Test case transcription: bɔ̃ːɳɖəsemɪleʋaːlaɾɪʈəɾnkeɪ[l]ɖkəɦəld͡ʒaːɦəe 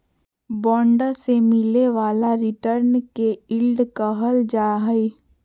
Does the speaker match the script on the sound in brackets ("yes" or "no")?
yes